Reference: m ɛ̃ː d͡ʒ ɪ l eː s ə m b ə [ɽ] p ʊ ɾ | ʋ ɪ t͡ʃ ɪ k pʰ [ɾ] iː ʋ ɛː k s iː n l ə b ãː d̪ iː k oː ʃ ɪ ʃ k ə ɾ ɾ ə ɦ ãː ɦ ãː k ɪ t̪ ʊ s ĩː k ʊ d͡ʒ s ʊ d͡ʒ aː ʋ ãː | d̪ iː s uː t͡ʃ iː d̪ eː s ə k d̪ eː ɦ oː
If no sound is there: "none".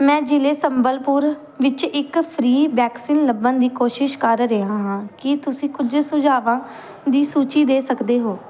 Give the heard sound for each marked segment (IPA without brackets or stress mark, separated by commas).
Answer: l, ɾ